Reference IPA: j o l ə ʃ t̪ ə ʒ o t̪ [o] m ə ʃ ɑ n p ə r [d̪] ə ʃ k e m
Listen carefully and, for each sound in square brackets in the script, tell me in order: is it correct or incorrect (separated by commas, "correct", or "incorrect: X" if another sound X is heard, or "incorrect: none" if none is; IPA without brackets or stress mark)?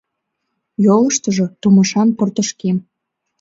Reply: incorrect: u, incorrect: t̪